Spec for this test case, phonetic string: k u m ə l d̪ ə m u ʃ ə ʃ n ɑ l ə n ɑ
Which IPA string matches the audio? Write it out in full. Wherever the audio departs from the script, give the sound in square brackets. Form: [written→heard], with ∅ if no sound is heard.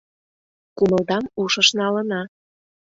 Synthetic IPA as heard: k u m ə l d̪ [ə→ɑ] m u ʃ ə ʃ n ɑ l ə n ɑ